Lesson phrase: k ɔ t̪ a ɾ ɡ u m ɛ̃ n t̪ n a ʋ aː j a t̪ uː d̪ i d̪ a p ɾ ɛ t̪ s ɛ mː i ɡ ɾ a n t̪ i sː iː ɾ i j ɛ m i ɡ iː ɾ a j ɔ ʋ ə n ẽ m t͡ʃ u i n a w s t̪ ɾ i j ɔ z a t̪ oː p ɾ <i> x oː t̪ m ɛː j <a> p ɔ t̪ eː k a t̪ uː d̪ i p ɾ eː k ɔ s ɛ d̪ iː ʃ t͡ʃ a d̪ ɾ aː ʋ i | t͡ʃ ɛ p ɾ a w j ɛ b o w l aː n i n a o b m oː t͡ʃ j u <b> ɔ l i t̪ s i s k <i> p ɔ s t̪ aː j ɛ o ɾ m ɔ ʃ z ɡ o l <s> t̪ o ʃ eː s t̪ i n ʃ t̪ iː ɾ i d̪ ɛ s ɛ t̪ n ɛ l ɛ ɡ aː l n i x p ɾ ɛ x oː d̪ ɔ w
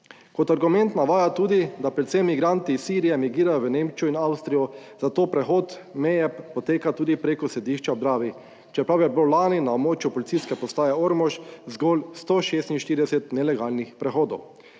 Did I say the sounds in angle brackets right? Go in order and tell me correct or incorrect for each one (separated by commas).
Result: incorrect, incorrect, incorrect, incorrect, correct